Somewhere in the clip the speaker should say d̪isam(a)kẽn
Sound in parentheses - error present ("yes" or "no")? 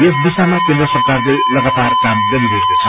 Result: no